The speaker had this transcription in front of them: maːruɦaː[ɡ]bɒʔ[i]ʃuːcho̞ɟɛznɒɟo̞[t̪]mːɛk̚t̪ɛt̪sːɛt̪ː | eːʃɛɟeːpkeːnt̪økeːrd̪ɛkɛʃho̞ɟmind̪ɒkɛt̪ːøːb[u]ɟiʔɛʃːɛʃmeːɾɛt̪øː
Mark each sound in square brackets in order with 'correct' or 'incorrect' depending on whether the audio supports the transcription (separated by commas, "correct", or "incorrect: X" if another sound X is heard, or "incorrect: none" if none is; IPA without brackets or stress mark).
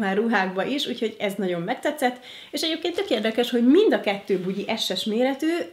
correct, correct, incorrect: none, correct